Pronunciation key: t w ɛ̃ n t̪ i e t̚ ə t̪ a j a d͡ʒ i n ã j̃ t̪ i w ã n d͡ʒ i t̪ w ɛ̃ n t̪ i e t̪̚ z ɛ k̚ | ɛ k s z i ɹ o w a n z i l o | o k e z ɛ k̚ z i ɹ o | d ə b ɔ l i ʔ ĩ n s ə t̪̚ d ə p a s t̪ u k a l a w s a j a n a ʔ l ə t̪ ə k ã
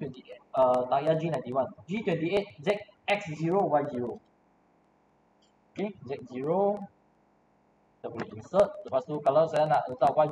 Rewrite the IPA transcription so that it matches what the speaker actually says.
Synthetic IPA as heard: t w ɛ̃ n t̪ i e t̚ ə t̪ a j a d͡ʒ i n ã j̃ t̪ i w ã n d͡ʒ i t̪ w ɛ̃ n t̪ i e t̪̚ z ɛ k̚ | ɛ k s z i ɹ o w a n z i ɹ o | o k e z ɛ k̚ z i ɹ o | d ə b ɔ l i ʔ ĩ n s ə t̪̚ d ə p a s t̪ u k a l a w s a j a n a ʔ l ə t̪ a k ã